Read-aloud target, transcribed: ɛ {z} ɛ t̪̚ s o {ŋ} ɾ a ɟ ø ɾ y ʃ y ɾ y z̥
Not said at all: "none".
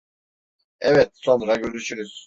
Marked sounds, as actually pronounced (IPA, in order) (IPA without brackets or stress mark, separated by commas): v, n